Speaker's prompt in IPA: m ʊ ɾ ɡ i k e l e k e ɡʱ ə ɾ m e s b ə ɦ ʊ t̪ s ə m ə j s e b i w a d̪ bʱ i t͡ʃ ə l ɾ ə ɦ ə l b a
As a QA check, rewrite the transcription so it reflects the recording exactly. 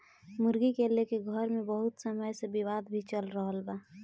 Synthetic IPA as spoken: m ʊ ɾ ɡ i k e l e k e ɡʱ ə ɾ m e b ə ɦ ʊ t̪ s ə m ə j s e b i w a d̪ bʱ i t͡ʃ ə l ɾ ə ɦ ə l b a